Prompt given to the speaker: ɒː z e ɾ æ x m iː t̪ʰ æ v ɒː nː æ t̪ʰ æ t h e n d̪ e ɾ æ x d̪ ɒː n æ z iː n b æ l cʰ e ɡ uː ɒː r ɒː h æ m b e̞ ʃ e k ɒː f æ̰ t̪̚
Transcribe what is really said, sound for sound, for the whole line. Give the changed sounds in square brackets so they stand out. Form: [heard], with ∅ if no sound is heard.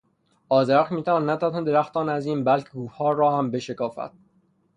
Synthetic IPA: ɒː z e ɾ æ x m iː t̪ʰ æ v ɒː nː æ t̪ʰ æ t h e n d̪ e ɾ æ x [t̪] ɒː n æ z iː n b æ l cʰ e ɡ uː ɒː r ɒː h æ m b e̞ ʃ e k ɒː f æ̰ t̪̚